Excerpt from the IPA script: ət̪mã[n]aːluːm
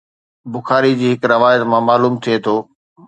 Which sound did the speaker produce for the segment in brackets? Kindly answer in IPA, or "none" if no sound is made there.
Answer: m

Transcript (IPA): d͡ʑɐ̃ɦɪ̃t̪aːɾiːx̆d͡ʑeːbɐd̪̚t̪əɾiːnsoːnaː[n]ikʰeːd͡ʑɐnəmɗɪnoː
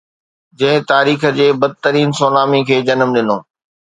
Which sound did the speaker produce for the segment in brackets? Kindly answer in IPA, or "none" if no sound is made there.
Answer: m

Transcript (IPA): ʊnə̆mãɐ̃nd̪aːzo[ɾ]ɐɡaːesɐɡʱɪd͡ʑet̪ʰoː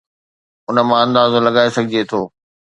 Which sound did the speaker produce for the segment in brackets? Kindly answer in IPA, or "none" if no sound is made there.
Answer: l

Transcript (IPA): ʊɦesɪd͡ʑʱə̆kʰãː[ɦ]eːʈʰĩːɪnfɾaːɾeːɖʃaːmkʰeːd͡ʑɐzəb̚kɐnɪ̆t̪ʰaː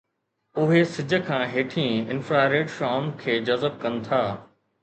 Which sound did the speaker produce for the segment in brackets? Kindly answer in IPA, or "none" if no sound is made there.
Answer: ɦ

